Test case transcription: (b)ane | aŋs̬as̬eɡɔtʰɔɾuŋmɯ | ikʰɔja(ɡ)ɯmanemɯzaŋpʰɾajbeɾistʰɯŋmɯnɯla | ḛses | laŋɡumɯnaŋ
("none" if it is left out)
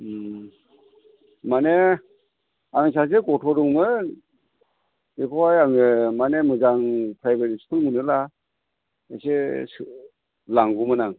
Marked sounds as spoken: m, ŋ

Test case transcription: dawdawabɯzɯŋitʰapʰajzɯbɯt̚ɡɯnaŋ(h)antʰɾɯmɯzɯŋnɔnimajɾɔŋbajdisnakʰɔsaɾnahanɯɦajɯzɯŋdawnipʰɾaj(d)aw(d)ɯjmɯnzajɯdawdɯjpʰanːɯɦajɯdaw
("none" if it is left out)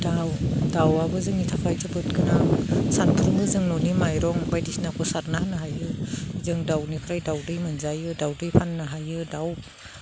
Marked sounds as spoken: s, d, d

